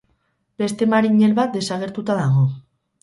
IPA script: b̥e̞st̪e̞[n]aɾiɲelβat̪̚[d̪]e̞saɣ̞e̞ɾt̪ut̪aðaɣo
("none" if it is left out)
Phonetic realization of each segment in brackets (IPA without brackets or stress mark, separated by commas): m, d̪